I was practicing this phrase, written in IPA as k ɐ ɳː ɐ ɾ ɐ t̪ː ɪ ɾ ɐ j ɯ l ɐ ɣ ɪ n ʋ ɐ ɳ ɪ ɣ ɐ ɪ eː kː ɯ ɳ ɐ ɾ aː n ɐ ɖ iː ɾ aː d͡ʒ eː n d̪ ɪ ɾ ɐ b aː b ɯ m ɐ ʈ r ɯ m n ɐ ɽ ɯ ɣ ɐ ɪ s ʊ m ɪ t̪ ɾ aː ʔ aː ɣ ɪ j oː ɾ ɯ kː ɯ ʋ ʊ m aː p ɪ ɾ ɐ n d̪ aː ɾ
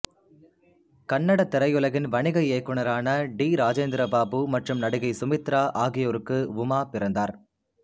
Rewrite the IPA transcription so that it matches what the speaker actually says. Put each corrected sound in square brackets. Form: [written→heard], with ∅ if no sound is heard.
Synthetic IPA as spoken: k ɐ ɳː ɐ [ɾ→ɽ] ɐ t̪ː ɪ ɾ ɐ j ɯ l ɐ ɣ ɪ n ʋ ɐ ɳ ɪ ɣ ɐ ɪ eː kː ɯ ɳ ɐ ɾ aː n ɐ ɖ iː ɾ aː d͡ʒ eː n d̪ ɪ ɾ ɐ b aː b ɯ m ɐ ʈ r ɯ m n ɐ ɽ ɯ ɣ ɐ ɪ s ʊ m ɪ t̪ ɾ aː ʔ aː ɣ ɪ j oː ɾ ɯ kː ɯ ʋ ʊ m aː p ɪ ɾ ɐ n d̪ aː ɾ